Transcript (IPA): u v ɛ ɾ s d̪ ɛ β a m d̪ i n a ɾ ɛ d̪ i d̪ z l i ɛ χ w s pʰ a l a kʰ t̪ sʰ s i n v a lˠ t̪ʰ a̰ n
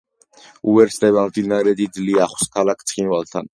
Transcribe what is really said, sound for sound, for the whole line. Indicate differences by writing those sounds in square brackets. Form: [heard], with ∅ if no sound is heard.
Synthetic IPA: u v ɛ ɾ s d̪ ɛ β a m d̪ i n a ɾ ɛ d̪ i d̪ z l i [a] χ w s [kʰ] a l a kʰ t̪ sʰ [χ] i n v a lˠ t̪ʰ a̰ n